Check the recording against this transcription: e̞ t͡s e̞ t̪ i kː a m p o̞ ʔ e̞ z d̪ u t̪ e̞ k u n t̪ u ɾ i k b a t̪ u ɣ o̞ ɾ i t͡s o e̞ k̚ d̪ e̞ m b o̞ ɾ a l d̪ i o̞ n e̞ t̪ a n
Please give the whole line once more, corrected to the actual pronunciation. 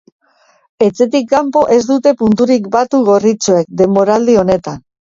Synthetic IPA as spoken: e̞ t͡s e̞ t̪ i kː a m p o̞ ʔ e̞ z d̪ u t̪ e̞ p u n t̪ u ɾ i k b a t̪ u ɣ o̞ r i t͡s o e̞ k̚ d̪ e̞ m b o̞ ɾ a l d̪ i o̞ n e̞ t̪ a n